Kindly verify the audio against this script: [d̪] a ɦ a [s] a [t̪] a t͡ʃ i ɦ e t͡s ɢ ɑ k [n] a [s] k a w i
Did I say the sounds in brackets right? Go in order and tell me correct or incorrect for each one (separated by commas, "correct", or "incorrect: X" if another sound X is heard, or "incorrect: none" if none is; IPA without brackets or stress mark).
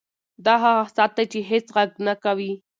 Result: correct, correct, correct, correct, incorrect: none